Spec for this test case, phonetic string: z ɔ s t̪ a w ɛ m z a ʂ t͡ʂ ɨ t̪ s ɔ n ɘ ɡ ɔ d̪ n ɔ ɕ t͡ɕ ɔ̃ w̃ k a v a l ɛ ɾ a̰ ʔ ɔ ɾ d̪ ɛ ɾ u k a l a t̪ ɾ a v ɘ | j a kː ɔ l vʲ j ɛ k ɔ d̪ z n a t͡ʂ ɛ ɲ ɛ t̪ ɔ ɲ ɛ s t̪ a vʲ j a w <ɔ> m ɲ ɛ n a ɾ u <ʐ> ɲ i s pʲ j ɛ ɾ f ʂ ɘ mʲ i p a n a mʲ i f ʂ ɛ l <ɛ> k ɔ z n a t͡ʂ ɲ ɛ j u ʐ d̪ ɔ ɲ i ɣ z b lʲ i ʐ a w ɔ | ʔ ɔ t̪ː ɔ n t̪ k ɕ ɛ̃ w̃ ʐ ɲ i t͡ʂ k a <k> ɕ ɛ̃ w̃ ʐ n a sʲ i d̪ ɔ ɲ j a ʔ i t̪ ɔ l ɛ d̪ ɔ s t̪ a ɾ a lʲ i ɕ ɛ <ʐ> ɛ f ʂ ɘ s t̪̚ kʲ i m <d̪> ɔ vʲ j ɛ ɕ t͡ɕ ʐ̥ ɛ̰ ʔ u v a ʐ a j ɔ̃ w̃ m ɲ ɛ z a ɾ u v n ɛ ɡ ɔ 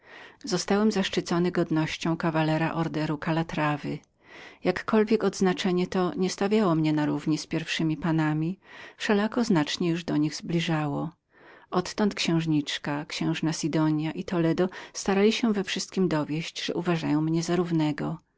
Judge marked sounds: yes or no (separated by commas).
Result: yes, no, no, yes, no, yes